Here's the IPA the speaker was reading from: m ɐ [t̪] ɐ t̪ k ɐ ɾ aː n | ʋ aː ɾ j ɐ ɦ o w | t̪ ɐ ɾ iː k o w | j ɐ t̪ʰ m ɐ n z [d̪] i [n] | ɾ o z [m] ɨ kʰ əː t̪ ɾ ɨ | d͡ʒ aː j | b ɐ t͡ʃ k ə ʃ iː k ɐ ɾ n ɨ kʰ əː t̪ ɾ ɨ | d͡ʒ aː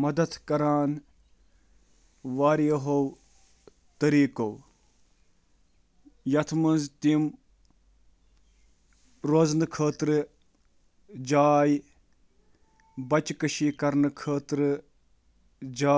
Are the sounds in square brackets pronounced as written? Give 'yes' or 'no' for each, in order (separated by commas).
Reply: no, no, no, no